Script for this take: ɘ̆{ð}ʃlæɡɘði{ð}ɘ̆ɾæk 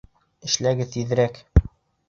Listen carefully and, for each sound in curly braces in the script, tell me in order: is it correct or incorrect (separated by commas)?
incorrect, correct